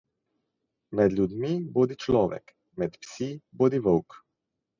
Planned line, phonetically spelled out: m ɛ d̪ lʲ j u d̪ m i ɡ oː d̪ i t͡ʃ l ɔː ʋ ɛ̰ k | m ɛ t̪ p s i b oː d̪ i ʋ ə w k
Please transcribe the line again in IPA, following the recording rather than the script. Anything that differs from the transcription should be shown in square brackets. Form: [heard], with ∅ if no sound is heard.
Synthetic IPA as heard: m ɛ d̪ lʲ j u d̪ m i [b] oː d̪ i t͡ʃ l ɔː ʋ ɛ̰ k | m ɛ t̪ p s i b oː d̪ i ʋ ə w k